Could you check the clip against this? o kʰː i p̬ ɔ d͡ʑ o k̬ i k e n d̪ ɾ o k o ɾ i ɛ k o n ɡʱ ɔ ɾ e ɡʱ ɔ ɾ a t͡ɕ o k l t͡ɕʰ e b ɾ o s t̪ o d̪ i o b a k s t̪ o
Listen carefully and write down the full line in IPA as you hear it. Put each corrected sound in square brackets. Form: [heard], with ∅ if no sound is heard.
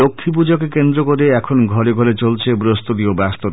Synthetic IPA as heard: o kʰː i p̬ [u] d͡ʑ o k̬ [e] k e n d̪ ɾ o k o ɾ [e] ɛ [kʰ] o n ɡʱ ɔ ɾ e ɡʱ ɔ ɾ [e] t͡ɕ o [∅] l t͡ɕʰ e b ɾ o s t̪ o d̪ i o b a [∅] s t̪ o

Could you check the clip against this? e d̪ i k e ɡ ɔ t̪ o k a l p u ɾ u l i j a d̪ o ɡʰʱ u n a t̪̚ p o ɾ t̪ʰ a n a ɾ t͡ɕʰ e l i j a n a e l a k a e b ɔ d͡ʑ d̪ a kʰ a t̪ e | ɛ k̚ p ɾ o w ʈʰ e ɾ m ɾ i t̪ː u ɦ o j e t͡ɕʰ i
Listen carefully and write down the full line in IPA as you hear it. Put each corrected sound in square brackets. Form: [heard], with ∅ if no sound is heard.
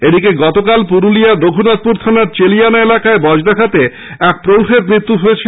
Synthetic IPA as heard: e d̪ i k e ɡ ɔ t̪ o k a l p u ɾ u l i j a d̪ o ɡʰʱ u n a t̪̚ p [u] ɾ t̪ʰ a n a ɾ [t͡ɕ] e l i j a n a e l a k a e b ɔ d͡ʑ d̪ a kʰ a t̪ e | ɛ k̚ p ɾ o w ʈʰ e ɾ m ɾ i t̪ː u ɦ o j e t͡ɕʰ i

